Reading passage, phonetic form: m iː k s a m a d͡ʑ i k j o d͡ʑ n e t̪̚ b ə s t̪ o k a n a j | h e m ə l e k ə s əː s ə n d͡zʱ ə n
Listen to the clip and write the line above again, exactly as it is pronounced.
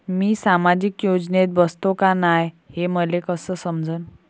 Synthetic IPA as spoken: m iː s a m a d͡ʑ i k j o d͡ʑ n e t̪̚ b ə s t̪ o k a n a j | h e m ə l e k ə s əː s ə m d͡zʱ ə n